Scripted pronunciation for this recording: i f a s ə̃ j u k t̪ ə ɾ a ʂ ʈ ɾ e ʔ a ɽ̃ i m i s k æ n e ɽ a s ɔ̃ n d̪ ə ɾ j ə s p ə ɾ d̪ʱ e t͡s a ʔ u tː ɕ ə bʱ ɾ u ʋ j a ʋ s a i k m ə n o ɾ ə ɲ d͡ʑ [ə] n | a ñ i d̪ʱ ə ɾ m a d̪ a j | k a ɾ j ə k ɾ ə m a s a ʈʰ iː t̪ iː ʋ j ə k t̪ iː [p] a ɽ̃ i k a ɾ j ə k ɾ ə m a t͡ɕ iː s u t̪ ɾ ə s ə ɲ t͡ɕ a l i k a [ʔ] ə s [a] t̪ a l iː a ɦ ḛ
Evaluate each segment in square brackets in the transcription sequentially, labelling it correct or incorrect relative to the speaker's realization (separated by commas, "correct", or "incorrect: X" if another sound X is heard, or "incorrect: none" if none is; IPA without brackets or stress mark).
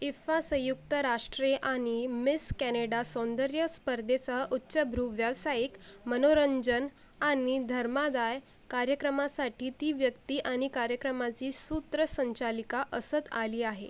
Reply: correct, incorrect: ʔ, correct, incorrect: ə